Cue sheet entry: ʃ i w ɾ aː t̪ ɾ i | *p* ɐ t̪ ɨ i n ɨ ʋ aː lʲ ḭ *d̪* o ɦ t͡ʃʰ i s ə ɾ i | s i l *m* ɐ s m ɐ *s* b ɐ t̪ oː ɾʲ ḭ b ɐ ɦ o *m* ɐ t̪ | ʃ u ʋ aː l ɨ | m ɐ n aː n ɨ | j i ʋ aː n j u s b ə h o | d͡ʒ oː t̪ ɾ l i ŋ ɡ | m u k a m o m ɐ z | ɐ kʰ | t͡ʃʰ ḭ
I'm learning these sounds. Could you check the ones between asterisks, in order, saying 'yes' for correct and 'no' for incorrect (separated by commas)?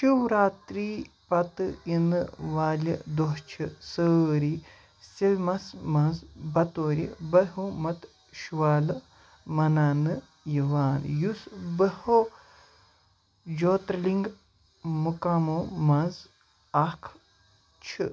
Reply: yes, yes, yes, no, yes